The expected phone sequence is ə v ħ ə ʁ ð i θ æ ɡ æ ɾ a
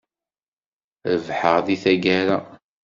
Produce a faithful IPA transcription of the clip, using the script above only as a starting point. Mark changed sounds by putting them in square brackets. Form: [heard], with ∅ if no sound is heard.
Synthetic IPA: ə v ħ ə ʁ ð i θ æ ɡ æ ɾ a

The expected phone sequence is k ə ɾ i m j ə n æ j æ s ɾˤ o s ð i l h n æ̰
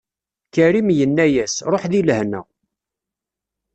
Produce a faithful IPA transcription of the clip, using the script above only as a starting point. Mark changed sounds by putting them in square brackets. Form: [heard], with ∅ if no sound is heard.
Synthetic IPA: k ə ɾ i m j ə [nː] æ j æ s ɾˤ o [ħ] ð i l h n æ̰

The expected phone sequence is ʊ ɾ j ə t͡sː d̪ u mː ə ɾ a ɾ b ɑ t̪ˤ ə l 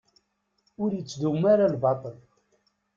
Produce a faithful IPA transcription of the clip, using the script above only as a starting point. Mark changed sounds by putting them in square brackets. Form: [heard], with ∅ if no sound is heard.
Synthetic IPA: ʊ ɾ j ə t͡sː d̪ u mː [a] ɾ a [l] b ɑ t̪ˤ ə l

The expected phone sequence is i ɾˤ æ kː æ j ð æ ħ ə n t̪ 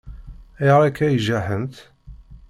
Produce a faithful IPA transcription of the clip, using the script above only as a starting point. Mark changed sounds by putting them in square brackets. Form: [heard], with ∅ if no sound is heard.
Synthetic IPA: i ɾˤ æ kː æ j [ʒ] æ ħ ə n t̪

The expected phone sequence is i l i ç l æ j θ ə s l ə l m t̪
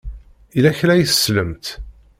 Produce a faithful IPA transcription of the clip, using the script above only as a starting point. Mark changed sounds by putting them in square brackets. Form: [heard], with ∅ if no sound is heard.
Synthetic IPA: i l [æ] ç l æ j θ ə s l ə [∅] m t̪

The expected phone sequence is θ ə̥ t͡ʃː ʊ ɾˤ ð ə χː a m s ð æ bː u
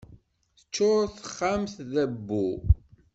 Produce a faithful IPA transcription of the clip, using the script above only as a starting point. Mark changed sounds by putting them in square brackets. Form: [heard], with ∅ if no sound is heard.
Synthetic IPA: θ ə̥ t͡ʃː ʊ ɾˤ [θ] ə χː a m [θ] ð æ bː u

